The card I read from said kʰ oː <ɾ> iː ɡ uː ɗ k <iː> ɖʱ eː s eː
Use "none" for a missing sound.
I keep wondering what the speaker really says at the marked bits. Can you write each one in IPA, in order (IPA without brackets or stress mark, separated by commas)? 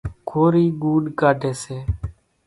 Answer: ɾ, aː